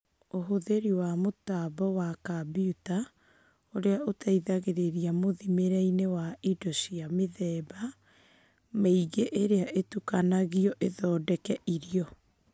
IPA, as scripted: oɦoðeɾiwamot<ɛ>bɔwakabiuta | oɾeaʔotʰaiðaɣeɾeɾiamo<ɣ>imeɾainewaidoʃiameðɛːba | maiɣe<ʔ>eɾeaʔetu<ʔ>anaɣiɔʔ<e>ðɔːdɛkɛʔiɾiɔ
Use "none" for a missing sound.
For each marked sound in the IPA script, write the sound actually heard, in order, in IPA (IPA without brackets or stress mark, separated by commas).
a, ð, ʔ, k, e